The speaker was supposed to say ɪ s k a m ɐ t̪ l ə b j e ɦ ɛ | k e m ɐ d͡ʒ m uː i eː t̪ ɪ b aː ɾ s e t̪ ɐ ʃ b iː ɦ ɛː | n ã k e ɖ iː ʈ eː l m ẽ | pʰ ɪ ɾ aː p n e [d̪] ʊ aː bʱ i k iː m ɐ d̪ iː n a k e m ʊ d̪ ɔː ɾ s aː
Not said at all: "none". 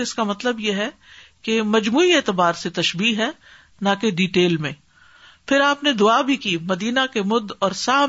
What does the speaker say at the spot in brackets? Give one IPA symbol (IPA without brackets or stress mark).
d̪